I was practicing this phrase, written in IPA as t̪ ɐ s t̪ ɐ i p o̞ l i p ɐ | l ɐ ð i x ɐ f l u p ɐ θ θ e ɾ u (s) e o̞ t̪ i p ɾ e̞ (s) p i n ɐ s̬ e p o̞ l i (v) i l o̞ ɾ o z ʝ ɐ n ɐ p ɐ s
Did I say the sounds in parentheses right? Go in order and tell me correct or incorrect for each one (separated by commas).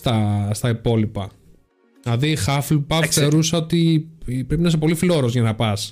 correct, incorrect, incorrect